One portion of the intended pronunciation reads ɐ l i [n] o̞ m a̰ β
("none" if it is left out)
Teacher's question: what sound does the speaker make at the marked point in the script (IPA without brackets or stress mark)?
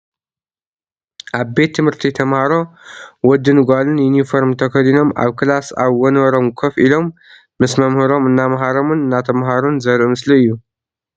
n